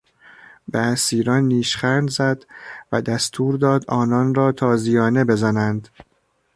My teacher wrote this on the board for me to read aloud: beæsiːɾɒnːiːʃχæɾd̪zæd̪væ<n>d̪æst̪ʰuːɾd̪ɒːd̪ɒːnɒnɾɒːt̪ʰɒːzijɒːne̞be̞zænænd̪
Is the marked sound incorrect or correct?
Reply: incorrect